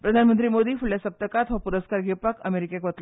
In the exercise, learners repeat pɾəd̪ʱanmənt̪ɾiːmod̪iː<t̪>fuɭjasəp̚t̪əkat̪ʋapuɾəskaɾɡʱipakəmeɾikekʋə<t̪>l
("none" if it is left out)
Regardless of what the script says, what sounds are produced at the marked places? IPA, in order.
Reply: none, t̪

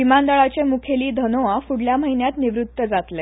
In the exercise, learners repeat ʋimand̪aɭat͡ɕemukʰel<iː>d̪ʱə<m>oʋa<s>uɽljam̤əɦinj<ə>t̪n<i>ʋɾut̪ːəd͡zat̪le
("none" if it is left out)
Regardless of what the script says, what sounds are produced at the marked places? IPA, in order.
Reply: iː, n, f, a, i

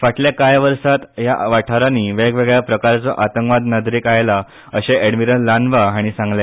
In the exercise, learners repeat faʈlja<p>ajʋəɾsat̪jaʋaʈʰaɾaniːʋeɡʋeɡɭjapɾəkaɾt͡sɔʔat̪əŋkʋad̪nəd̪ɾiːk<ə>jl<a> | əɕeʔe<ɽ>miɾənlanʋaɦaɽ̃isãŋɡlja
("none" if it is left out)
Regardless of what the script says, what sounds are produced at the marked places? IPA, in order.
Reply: k, a, a, ɽ

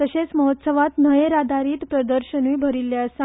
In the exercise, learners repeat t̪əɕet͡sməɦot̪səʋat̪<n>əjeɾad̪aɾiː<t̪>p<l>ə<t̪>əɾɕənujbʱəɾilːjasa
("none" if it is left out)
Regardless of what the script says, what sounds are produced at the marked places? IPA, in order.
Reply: n, t̪, ɾ, d̪

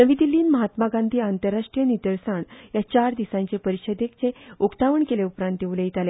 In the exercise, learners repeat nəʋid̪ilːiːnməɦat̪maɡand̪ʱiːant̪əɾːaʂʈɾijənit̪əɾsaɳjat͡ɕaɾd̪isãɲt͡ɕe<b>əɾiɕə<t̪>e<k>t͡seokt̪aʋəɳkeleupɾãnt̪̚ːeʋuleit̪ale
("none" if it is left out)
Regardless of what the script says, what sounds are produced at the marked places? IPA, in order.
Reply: p, d̪, k

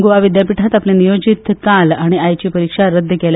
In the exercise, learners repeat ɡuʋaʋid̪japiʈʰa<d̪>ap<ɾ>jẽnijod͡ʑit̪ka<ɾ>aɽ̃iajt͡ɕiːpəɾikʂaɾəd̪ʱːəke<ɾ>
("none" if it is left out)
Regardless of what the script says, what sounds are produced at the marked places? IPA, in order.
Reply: t̪, l, l, l

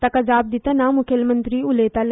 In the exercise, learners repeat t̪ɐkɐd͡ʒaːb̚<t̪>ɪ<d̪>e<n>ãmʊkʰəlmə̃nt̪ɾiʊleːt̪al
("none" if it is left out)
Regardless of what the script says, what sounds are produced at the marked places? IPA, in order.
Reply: d̪, t̪, n

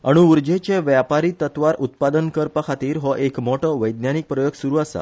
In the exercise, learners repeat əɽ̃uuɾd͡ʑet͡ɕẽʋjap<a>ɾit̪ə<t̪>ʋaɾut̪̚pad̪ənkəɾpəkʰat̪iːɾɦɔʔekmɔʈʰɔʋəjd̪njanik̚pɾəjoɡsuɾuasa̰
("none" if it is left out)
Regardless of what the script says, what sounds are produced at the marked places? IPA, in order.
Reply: a, t̪

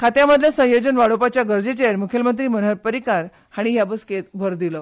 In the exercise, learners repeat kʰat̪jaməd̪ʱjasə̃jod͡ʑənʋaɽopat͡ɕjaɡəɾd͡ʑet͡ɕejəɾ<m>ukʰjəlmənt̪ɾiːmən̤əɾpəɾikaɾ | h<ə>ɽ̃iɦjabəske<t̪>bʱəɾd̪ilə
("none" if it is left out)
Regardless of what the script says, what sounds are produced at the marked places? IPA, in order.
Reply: m, a, t̪

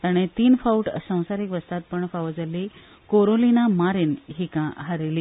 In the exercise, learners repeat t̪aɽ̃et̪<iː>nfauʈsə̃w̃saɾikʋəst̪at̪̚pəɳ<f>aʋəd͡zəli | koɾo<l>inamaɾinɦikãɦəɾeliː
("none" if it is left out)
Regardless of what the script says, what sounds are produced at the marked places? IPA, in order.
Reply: iː, f, l

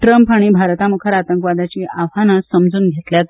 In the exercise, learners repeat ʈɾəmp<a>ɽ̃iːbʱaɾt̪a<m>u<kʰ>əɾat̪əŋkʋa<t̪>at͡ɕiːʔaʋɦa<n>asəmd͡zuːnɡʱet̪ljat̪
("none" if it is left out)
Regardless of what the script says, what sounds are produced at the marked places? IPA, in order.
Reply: a, m, kʰ, d̪, n

